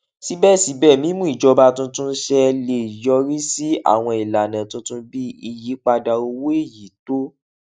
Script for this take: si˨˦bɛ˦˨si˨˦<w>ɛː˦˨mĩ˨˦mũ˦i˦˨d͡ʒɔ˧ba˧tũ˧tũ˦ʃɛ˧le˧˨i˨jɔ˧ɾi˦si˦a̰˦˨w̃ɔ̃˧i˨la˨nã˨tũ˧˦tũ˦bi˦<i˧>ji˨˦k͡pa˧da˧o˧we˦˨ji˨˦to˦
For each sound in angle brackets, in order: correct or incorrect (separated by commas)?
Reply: incorrect, correct